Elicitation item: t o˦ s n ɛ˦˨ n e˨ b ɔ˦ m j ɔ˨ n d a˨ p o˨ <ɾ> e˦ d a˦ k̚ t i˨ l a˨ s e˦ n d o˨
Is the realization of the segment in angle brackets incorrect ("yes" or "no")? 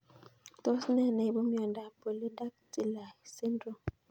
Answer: yes